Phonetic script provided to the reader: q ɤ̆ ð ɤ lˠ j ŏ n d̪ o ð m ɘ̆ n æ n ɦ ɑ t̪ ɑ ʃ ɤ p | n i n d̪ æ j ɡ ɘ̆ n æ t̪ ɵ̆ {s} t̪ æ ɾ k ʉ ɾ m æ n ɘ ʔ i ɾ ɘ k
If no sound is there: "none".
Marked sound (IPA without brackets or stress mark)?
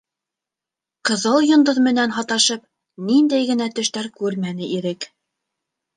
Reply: ʃ